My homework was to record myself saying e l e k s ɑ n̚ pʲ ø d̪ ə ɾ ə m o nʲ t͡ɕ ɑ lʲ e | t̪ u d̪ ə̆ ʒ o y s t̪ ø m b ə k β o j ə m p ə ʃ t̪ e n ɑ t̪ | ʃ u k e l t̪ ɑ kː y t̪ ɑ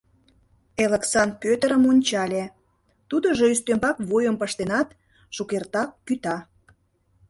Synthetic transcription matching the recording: e l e k s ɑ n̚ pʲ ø t̪ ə ɾ ə m o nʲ t͡ɕ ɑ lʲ e | t̪ u d̪ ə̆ ʒ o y s t̪ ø m b ɑ k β o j ə m p ə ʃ t̪ e n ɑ t̪ | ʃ u k e r t̪ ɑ kː y t̪ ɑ